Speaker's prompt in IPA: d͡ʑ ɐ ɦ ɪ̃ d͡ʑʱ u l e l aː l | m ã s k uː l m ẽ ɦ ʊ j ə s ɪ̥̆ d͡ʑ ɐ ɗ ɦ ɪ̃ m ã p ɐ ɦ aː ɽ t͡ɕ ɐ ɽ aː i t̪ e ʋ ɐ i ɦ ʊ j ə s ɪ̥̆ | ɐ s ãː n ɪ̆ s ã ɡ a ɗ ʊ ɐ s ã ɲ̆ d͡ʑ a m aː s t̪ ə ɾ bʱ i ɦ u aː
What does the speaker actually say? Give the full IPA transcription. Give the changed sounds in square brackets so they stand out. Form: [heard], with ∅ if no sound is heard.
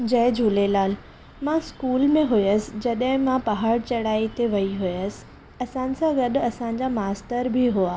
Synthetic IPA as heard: d͡ʑ ɐ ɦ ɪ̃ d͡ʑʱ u l e l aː l | m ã s k uː l m ẽ ɦ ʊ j ə s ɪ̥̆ d͡ʑ ɐ ɗ ɦ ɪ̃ m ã p ɐ ɦ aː ɽ t͡ɕ ɐ ɽ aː i t̪ e ʋ ɐ i ɦ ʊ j ə s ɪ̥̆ | ɐ s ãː n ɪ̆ s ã ɡ [ɐ] ɗ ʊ ɐ s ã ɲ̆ d͡ʑ a m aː s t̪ ə ɾ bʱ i ɦ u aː